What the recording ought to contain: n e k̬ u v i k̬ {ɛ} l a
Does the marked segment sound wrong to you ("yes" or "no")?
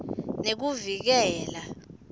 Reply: yes